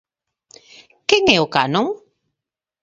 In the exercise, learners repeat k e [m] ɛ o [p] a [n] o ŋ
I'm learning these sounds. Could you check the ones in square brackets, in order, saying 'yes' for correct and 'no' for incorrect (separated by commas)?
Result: no, no, yes